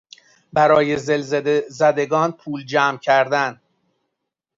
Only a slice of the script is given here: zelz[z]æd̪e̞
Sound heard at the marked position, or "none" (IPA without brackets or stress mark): z